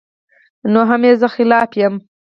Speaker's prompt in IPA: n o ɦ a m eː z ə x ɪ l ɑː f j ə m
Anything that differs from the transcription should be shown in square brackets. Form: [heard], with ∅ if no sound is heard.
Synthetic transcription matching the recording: n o ɦ a m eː z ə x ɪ l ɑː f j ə m